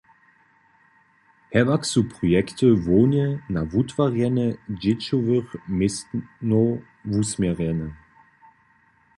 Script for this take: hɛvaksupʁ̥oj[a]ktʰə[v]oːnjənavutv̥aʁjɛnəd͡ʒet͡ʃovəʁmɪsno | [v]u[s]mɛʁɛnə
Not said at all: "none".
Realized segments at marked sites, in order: ɛ, v, v, s

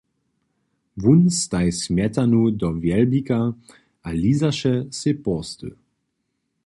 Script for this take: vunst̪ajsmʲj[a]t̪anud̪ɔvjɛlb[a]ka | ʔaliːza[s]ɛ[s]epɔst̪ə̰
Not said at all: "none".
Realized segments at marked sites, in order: ɛ, i, ʃ, s

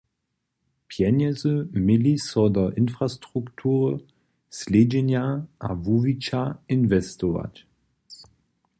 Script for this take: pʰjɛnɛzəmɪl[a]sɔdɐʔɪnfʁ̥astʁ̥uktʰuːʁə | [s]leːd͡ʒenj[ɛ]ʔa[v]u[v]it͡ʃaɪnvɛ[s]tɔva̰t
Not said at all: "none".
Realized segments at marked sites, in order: i, s, a, v, v, s

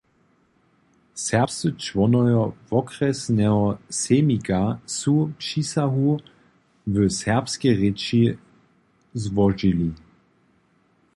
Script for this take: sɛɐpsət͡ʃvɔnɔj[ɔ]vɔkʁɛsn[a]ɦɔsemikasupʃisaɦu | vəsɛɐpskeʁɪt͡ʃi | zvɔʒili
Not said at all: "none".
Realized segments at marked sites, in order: ɔ, ɛ

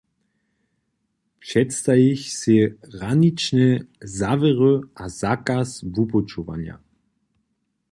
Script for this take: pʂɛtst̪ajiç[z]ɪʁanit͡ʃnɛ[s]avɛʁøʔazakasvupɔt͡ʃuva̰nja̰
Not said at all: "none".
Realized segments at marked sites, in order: s, z

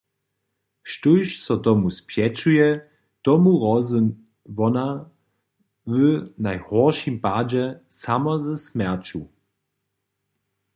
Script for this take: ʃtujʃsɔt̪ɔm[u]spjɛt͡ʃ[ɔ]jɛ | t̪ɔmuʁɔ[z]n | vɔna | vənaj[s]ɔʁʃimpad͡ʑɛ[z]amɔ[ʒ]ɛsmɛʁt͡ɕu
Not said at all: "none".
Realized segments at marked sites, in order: u, u, z, h, s, z

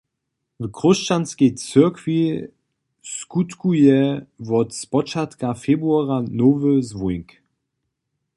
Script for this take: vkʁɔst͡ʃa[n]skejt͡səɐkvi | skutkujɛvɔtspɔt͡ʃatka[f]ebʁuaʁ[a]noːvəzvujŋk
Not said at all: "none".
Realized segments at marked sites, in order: n, f, a

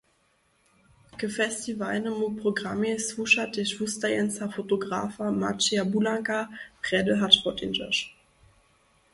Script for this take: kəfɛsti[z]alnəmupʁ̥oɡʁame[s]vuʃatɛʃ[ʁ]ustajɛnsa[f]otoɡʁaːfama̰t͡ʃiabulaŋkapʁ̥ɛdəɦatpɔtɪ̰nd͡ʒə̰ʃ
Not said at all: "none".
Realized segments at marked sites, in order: v, s, v, f

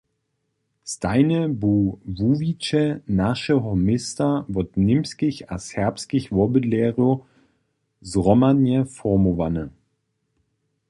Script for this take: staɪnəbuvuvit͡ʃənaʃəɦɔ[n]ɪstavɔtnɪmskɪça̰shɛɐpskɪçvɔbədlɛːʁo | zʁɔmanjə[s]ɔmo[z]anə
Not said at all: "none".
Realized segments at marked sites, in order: m, f, v

